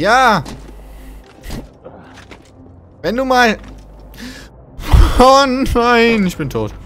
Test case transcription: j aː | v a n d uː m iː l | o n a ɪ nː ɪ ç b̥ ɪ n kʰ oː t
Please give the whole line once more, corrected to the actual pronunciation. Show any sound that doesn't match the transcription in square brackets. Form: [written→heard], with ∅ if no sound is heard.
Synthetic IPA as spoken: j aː | v [a→ɛ] n d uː m [iː→aː] l | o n a ɪ [nː→n] ɪ ç b̥ ɪ n [kʰ→tʰ] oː t

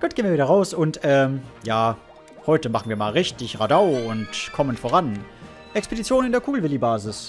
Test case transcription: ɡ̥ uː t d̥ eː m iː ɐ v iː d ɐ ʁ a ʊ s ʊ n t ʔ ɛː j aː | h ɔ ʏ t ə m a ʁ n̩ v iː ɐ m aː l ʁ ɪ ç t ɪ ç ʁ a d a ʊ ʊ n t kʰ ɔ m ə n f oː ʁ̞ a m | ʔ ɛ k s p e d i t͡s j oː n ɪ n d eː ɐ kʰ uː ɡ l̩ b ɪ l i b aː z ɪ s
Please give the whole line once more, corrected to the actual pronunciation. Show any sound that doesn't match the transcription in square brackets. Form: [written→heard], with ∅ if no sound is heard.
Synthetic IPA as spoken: ɡ̥ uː t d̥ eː [m→n] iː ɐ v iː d ɐ ʁ a ʊ s ʊ n t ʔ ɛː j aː | h ɔ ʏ t ə m a [ʁ→χ] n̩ v iː ɐ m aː l ʁ ɪ ç t ɪ ç ʁ a d a ʊ ʊ n t kʰ ɔ m ə n f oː ʁ̞ a [m→n] | ʔ ɛ k s p e d i t͡s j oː n ɪ n d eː ɐ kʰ uː ɡ l̩ [b→v] ɪ l i b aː z ɪ s

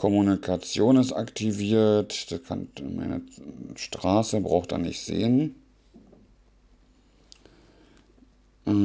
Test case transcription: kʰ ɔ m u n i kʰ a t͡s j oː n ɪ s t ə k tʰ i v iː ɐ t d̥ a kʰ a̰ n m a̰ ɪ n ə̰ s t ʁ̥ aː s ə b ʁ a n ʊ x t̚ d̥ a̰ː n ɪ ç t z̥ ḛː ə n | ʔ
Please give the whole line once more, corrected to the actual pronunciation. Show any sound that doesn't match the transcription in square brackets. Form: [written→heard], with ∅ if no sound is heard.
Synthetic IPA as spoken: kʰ ɔ m u n i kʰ a t͡s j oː n ɪ s t [ə→a] k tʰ i v iː ɐ t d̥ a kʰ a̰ n m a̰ ɪ n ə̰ [s→ʃ] t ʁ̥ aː s ə b ʁ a [n→∅] ʊ x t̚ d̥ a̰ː n ɪ ç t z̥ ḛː ə n | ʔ

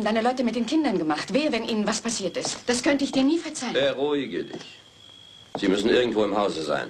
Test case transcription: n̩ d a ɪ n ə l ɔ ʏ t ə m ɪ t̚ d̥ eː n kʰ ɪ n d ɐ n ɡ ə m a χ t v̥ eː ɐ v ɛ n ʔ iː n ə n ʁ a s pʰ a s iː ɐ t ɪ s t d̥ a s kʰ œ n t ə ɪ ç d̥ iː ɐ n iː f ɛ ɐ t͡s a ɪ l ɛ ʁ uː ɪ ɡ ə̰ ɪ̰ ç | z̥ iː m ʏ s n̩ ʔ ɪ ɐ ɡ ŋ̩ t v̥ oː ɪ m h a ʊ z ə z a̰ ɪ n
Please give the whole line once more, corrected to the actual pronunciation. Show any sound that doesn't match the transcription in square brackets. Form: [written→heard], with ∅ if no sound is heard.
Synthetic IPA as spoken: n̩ d a ɪ n ə l ɔ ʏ t ə m ɪ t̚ d̥ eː n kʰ ɪ n d ɐ n ɡ ə m a χ t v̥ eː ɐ v ɛ n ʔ iː n ə n [ʁ→v] a s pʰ a s iː ɐ t ɪ s t d̥ a s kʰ œ n t ə ɪ ç d̥ iː ɐ n iː f ɛ ɐ t͡s a ɪ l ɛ ʁ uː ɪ ɡ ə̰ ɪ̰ ç | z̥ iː m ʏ s n̩ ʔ ɪ ɐ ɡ ŋ̩ t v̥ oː ɪ m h a ʊ z ə z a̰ ɪ n

